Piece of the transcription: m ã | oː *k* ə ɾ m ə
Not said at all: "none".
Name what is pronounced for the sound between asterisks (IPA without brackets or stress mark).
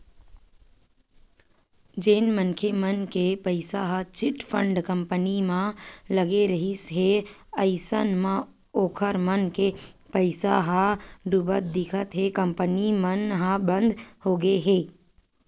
kʰ